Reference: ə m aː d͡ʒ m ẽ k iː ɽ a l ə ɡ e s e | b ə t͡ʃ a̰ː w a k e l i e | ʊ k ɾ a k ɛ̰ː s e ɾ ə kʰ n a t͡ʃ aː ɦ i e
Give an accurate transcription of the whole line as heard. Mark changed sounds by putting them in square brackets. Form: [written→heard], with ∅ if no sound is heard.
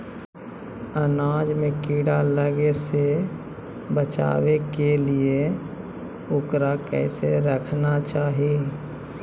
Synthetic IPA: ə [m→n] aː d͡ʒ m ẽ k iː ɽ a l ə ɡ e s e | b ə t͡ʃ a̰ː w [a→e] k e l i e | ʊ k ɾ a k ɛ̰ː s e ɾ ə kʰ n a t͡ʃ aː ɦ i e